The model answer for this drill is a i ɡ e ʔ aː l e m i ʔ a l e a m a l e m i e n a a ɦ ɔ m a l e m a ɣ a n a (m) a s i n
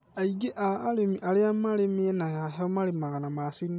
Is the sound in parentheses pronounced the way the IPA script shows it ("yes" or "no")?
yes